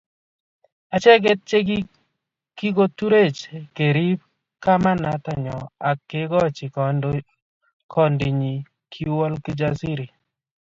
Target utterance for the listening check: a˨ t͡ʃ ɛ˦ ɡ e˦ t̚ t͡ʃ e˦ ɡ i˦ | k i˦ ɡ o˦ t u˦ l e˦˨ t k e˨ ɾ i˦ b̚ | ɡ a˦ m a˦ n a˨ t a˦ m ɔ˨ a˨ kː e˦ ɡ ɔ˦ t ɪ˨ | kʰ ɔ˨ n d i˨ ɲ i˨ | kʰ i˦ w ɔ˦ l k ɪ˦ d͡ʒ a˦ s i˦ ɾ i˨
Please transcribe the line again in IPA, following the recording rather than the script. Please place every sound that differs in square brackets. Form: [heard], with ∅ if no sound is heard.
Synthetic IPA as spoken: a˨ t͡ʃ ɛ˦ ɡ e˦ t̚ t͡ʃ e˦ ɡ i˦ | k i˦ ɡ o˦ t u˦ [ɾ] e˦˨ [t͡ʃ] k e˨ ɾ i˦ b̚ | [k] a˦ m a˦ n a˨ t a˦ [ɲ] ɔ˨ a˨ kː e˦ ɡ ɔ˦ [t͡ʃ] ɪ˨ | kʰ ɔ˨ n d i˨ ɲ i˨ | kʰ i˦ w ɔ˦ l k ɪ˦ d͡ʒ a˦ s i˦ ɾ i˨